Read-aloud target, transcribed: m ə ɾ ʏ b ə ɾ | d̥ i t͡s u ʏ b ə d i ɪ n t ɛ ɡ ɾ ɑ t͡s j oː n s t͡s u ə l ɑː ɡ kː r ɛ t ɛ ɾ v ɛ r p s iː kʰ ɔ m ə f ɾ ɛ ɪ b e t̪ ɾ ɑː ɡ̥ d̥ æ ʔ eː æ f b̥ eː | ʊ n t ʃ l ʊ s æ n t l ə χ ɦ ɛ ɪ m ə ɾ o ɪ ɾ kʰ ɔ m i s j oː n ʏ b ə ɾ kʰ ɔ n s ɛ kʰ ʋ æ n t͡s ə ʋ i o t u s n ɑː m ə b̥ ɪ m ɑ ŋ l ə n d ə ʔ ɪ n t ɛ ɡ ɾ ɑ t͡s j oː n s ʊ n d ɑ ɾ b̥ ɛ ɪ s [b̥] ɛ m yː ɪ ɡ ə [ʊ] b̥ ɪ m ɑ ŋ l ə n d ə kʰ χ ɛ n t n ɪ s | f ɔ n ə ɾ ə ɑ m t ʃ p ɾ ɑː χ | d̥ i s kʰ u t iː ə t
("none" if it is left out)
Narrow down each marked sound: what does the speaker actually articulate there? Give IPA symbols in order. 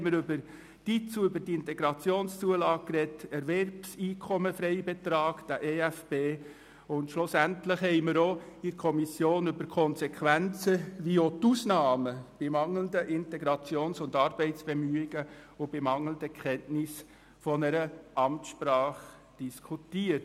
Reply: b̥, ʊ

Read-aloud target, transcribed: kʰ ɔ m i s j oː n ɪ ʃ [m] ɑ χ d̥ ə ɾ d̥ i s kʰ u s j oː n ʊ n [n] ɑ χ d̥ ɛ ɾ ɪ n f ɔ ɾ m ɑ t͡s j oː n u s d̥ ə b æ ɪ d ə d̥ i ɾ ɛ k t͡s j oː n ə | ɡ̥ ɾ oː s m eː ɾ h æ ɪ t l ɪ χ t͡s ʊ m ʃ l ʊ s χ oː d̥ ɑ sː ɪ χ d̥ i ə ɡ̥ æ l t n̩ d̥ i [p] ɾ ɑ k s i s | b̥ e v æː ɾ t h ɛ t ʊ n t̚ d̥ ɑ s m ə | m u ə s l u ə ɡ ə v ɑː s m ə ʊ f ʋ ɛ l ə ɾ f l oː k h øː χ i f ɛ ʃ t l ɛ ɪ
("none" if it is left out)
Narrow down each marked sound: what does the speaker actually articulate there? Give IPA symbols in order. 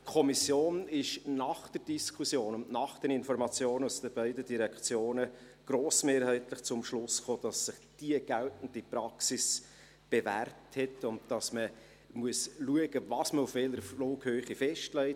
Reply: n, n, p

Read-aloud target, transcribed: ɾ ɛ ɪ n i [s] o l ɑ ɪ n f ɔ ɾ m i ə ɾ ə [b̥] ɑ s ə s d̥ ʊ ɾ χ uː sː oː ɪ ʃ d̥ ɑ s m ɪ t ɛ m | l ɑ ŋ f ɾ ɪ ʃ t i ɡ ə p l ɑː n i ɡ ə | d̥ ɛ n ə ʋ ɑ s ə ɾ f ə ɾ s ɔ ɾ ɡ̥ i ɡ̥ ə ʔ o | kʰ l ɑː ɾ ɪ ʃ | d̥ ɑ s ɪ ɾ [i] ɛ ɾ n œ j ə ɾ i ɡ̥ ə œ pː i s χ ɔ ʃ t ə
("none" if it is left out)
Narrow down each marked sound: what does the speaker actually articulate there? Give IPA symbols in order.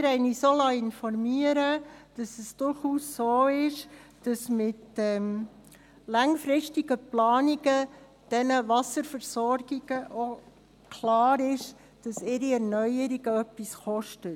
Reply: s, d̥, i

